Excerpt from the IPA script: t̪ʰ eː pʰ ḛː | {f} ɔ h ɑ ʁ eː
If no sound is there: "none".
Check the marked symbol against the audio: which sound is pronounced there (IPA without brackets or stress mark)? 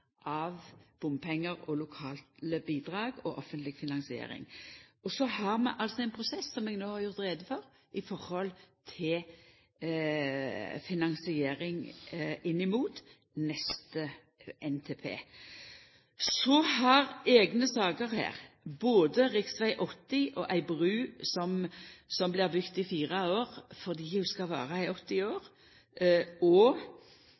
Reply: s